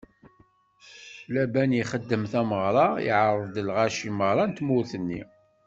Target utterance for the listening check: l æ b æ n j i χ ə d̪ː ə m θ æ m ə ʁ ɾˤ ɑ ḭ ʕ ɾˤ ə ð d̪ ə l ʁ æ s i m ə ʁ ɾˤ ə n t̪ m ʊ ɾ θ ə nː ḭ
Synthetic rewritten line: l æ b æ n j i χ ə d̪ː ə m θ æ m ə ʁ ɾˤ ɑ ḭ ʕ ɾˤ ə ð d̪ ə l ʁ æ ʃ i m ə ʁ ɾˤ ɑ n t̪ m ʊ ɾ θ ə nː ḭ